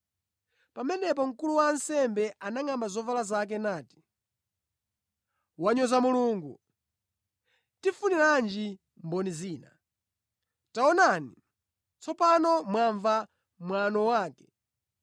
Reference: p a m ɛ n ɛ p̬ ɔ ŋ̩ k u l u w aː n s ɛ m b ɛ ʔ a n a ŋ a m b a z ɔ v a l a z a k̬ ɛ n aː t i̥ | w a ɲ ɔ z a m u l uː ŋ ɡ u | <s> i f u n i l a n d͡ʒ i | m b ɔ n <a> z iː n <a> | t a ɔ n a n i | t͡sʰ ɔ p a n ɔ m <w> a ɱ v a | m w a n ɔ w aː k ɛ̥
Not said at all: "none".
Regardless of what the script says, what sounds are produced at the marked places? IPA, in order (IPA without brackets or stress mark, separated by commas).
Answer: t, i, a, w